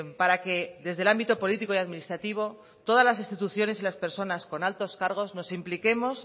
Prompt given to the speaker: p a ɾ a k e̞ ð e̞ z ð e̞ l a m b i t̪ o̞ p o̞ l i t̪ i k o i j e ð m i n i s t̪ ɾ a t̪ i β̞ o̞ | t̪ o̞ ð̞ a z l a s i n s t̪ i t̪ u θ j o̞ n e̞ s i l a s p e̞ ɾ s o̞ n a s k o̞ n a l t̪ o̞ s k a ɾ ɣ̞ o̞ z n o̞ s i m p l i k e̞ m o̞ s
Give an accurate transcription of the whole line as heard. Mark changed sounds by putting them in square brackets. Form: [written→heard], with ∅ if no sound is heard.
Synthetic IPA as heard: p a ɾ a k e̞ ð e̞ z ð e̞ l a m b i t̪ o̞ p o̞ l i t̪ i k o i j [e→a] ð m i n i s t̪ ɾ a t̪ i β̞ o̞ | t̪ o̞ ð̞ a z l a s i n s t̪ i t̪ u θ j o̞ n e̞ s i l a s p e̞ ɾ s o̞ n a s k o̞ n a l t̪ o̞ s k a ɾ ɣ̞ o̞ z n o̞ s i m p l i k e̞ m o̞ s

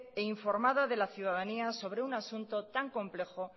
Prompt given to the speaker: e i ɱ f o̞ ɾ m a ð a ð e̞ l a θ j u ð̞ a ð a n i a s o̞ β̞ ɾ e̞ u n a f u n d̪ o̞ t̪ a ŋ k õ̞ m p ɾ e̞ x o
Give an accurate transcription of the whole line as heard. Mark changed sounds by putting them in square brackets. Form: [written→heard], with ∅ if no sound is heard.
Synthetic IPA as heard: e i ɱ f o̞ ɾ m a ð a ð e̞ l a θ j u ð̞ a ð a n i a s o̞ β̞ ɾ e̞ u n a [f→s] u n [d̪→t̪] o̞ t̪ a ŋ k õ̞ m p [ɾ→l] e̞ x o

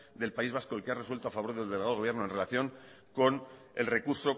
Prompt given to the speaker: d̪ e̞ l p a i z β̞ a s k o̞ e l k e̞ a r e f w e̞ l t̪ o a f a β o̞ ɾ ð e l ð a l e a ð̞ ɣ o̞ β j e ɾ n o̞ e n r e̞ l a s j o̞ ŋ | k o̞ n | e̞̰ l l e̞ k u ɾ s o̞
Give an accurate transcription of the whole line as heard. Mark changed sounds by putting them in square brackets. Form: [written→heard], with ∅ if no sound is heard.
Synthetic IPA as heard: d̪ e̞ l p a i z β̞ a s k o̞ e l k e̞ a r e [f→s] w e̞ l t̪ o a f a β o̞ ɾ ð e l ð [a→e] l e a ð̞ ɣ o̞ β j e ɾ n o̞ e n r e̞ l a [s→θ] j o̞ ŋ | k o̞ n | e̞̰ l [l→r] e̞ k u ɾ s o̞

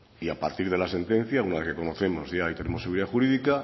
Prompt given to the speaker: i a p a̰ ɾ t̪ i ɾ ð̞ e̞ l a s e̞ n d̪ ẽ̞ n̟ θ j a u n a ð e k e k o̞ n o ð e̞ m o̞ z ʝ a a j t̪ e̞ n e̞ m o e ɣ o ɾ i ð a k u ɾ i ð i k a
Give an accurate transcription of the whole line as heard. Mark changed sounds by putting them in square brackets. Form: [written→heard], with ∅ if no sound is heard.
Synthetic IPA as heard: i a p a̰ ɾ t̪ i ɾ ð̞ e̞ l a s e̞ n [d̪→t̪] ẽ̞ n̟ θ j a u n a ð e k e k o̞ n o [ð→θ] e̞ m o̞ z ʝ a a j t̪ e̞ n e̞ m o e ɣ [o→u] ɾ i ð a [k→x] u ɾ i ð i k a

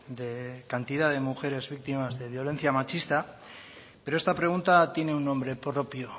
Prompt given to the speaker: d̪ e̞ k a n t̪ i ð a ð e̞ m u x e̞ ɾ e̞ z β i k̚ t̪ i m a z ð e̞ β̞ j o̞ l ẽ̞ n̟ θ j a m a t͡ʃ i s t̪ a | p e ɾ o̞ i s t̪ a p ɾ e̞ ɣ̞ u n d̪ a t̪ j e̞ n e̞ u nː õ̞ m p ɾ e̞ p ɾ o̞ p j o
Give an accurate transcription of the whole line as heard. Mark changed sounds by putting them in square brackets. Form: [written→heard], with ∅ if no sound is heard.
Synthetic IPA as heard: d̪ e̞ k a n t̪ i ð a ð e̞ m u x e̞ ɾ e̞ z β i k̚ t̪ i m a z ð e̞ β̞ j o̞ l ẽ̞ n̟ θ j a m a t͡ʃ i s t̪ a | p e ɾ o̞ [i→e] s t̪ a p ɾ e̞ ɣ̞ u n [d̪→t̪] a t̪ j e̞ n e̞ u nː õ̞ m [p→b] ɾ e̞ p ɾ o̞ p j o

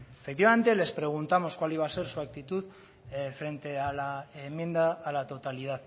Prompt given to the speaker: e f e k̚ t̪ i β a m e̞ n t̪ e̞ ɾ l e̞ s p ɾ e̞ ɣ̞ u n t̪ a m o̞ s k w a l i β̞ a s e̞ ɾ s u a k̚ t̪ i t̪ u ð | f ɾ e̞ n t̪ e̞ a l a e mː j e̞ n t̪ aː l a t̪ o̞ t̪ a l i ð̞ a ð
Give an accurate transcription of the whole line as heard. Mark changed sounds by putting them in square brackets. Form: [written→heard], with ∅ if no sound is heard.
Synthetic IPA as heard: e f e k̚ t̪ i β a m e̞ n t̪ e̞ [ɾ→∅] l e̞ s p ɾ e̞ ɣ̞ u n t̪ a m o̞ s k w a l i β̞ a s e̞ ɾ s u a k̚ t̪ i t̪ u ð | f ɾ e̞ n t̪ e̞ a l a e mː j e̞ n [t̪→d̪] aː l a t̪ o̞ t̪ a l i ð̞ a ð

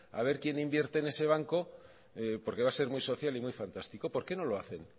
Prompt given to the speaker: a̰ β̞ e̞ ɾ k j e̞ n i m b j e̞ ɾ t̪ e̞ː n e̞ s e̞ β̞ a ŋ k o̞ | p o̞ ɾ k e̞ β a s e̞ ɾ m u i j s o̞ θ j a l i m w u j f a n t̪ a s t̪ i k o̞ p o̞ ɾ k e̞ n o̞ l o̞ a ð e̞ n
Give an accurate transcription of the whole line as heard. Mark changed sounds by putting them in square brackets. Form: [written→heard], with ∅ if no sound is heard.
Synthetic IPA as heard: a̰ β̞ e̞ ɾ k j e̞ n i m b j e̞ ɾ t̪ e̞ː n e̞ s e̞ β̞ a ŋ k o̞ | p o̞ ɾ k e̞ β a s e̞ ɾ m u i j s o̞ θ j a l i m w u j f a n t̪ a s t̪ i k o̞ p o̞ ɾ k e̞ n o̞ l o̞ a [ð→θ] e̞ n

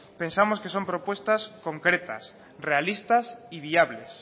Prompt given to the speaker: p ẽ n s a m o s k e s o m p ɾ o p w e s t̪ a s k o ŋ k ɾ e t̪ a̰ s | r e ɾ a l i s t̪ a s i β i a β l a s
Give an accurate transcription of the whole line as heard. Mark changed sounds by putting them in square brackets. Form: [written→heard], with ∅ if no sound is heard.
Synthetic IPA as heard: p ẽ n s a m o s k e s o m p ɾ o p w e s t̪ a s k o ŋ k ɾ e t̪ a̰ s | r e [ɾ→∅] a l i s t̪ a s i β i a β l [a→e] s

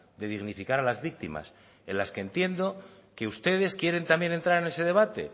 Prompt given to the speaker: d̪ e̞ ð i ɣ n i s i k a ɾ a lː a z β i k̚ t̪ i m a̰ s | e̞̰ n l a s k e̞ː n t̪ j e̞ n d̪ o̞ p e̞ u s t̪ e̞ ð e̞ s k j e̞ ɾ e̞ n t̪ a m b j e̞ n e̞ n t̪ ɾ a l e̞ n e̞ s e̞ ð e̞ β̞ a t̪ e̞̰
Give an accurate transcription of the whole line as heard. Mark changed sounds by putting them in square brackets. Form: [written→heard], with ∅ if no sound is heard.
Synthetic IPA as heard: d̪ e̞ ð i ɣ n i [s→f] i k a ɾ a [lː→l] a z β i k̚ t̪ i m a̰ s | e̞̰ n l a s k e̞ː n t̪ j e̞ n d̪ o̞ [p→k] e̞ u s t̪ e̞ ð e̞ s k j e̞ ɾ e̞ n t̪ a m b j e̞ n e̞ n t̪ ɾ a [l→ɾ] e̞ n e̞ s e̞ ð e̞ β̞ a t̪ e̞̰

